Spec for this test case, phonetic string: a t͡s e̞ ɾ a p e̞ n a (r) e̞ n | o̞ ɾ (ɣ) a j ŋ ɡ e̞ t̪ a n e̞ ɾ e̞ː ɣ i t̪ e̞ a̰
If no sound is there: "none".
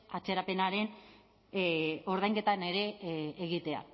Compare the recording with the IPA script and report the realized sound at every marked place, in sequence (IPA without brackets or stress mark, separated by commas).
ɾ, ð